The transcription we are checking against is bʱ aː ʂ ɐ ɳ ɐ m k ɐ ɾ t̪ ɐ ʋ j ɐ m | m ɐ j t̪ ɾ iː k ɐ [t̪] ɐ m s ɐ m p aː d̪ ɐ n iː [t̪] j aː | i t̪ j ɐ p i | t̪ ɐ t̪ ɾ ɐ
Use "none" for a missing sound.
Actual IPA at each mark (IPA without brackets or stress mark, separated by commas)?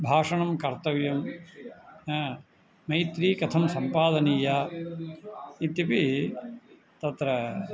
t̪ʰ, none